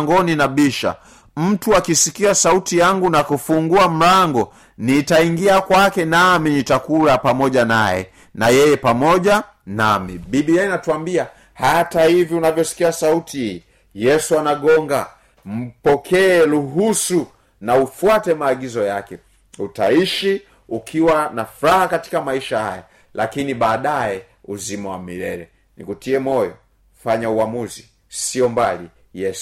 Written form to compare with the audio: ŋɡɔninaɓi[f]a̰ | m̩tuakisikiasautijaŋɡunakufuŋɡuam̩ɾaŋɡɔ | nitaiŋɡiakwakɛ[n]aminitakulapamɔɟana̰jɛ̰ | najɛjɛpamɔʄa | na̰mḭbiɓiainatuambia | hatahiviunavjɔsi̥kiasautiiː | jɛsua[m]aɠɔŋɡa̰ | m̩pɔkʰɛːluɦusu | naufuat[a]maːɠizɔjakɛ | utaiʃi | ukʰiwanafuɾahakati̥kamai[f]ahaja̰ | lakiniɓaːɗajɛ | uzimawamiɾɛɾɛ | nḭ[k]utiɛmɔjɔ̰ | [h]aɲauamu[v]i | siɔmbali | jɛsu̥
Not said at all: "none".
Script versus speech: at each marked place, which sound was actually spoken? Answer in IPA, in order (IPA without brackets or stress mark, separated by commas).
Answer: ʃ, n, n, ɛ, ʃ, k, f, z